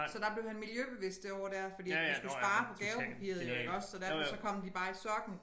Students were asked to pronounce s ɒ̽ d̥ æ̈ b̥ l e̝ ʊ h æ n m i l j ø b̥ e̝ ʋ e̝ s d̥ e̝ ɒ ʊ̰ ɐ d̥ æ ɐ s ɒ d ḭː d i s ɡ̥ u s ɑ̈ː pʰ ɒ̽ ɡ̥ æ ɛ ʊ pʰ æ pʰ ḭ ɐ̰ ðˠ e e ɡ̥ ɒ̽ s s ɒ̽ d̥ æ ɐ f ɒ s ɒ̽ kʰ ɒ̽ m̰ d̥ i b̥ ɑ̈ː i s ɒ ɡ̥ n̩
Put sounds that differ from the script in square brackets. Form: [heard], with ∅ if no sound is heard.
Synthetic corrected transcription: s ɒ̽ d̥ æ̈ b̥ l e̝ ʊ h æ n m i l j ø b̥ e̝ ʋ e̝ s d̥ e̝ ɒ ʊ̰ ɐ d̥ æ ɐ [f] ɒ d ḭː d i s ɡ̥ u s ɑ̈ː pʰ ɒ̽ ɡ̥ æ ɛ ʊ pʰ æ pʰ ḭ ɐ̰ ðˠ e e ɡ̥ ɒ̽ s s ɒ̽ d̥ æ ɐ f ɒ s ɒ̽ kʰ ɒ̽ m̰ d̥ i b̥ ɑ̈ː i s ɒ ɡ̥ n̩